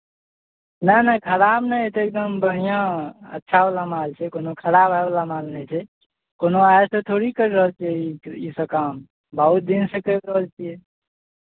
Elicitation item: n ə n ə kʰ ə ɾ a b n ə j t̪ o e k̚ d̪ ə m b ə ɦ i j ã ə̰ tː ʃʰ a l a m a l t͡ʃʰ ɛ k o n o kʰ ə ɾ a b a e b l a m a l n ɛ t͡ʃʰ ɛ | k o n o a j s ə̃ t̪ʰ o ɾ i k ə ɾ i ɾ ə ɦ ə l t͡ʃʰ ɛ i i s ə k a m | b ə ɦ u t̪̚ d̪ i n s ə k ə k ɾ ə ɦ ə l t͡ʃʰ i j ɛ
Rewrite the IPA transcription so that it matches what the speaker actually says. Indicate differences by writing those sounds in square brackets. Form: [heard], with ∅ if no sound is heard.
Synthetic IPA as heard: n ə n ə kʰ ə ɾ a b n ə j t̪ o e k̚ d̪ ə m b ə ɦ i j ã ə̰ tː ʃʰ a l a m a l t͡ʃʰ ɛ k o n o kʰ ə ɾ a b a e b l a m a l n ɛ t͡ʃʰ ɛ | k o n o a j s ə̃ t̪ʰ o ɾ i k ə ɾ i ɾ ə ɦ ə l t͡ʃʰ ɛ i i s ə k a m | b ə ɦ u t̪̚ d̪ i n s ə k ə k ɾ ə ɦ ə l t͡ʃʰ i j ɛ

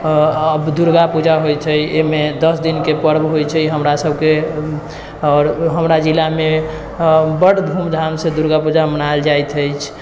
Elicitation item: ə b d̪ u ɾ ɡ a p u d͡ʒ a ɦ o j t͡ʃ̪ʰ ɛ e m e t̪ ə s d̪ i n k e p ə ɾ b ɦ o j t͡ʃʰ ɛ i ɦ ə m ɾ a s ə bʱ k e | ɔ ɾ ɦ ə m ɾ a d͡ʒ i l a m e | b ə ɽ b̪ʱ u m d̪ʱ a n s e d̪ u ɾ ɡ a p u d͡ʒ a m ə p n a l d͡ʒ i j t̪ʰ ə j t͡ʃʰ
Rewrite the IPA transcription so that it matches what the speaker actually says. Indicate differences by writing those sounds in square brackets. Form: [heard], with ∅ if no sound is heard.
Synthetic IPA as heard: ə b d̪ u ɾ ɡ a p u d͡ʒ a ɦ o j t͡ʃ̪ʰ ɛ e m e [d̪] ə s d̪ i n k e p ə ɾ b ɦ o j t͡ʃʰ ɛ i ɦ ə m ɾ a s ə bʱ k e | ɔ ɾ ɦ ə m ɾ a d͡ʒ i l a m e | b ə ɽ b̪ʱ u m d̪ʱ a [m] s e d̪ u ɾ ɡ a p u d͡ʒ a m ə [∅] n a l d͡ʒ [a] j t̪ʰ ə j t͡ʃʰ

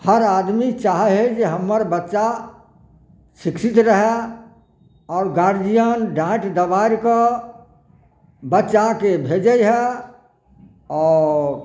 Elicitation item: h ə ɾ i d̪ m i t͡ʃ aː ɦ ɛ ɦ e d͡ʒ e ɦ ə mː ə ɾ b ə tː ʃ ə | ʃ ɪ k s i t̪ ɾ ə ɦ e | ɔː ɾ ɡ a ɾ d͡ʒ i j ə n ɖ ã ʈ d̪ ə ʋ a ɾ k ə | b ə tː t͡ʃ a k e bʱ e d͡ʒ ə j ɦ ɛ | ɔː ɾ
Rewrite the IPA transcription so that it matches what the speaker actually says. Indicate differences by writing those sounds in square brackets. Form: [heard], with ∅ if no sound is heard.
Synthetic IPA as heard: h ə ɾ [a] d̪ m i t͡ʃ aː ɦ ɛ ɦ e d͡ʒ e ɦ ə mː ə ɾ b ə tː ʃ [a] | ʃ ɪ k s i t̪ ɾ ə ɦ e | ɔː ɾ ɡ a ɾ d͡ʒ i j ə n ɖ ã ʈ d̪ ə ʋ a ɾ k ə | b ə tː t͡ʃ a k e bʱ e d͡ʒ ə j ɦ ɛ | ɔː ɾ

